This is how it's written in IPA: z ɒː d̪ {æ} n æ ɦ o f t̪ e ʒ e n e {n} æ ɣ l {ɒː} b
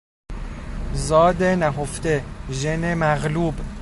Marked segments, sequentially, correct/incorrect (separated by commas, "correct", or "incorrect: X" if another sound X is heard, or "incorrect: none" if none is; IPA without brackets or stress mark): incorrect: e, incorrect: m, incorrect: uː